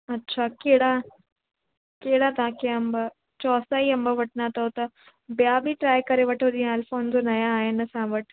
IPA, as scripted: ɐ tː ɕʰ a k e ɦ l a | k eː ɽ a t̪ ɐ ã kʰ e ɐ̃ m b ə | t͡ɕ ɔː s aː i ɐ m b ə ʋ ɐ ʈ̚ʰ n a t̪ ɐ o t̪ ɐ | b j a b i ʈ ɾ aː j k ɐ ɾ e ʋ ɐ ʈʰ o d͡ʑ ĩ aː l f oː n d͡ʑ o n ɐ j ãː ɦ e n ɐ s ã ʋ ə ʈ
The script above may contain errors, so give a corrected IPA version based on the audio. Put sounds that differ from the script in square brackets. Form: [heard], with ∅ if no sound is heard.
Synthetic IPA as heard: ɐ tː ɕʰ a k e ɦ [ɽ] a | k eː ɽ a t̪ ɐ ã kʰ e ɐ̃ m b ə | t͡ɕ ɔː s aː i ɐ m b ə ʋ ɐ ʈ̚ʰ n a t̪ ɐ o t̪ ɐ | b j a b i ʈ ɾ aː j k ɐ ɾ e ʋ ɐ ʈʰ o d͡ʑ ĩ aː l f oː n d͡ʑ o n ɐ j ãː ɦ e n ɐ s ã ʋ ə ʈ